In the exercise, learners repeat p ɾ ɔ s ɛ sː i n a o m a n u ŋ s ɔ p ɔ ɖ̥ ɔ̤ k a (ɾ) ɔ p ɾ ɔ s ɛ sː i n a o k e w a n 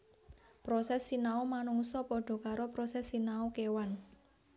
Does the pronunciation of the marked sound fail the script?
no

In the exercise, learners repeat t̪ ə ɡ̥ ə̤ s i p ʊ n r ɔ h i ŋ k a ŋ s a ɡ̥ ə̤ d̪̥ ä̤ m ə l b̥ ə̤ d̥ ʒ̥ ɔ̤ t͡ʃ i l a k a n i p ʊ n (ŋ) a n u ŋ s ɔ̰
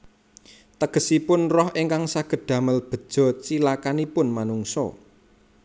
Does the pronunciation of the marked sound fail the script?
yes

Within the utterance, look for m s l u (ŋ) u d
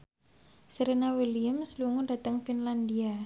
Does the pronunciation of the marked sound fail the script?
no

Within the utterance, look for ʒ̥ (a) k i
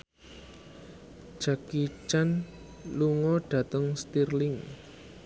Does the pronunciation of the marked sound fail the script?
no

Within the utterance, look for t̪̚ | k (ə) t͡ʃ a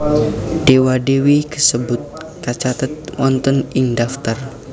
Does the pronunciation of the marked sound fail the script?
yes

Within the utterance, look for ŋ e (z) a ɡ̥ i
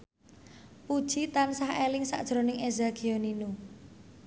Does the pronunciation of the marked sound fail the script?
no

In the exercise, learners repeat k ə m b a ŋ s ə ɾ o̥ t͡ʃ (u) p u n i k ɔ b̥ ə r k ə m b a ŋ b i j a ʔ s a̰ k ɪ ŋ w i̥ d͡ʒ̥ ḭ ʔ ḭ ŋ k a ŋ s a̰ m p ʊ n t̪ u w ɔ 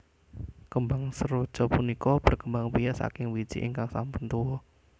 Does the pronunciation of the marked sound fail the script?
yes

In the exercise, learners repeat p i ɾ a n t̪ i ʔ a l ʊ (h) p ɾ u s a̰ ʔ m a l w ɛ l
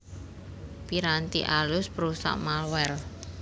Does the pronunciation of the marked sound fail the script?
yes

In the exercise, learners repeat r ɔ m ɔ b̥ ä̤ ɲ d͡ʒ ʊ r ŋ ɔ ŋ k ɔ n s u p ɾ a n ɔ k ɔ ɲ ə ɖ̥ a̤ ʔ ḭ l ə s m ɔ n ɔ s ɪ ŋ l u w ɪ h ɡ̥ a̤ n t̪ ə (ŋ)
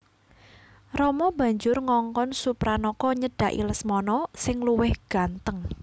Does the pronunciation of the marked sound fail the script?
no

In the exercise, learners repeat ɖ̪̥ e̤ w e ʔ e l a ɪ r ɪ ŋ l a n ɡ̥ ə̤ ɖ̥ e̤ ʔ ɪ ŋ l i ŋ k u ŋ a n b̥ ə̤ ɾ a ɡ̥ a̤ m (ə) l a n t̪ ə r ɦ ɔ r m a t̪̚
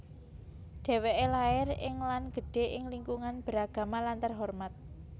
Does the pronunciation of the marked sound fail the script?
yes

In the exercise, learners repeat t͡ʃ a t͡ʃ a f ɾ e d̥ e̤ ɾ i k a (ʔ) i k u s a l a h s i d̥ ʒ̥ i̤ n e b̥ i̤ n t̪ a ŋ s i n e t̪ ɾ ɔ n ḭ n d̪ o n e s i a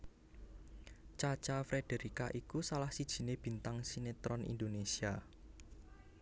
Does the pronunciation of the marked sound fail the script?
no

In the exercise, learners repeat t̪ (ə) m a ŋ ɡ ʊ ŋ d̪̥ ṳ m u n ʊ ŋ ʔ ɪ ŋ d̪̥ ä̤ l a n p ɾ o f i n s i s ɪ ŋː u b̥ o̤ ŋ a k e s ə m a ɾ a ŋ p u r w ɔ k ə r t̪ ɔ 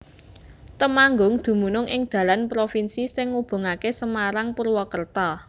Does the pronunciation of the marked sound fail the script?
no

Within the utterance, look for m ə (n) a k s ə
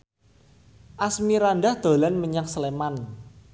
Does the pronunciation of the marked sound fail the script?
yes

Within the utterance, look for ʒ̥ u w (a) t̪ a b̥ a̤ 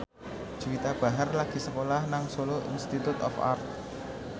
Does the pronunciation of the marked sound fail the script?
yes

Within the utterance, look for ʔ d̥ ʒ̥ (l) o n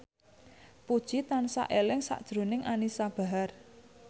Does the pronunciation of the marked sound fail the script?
yes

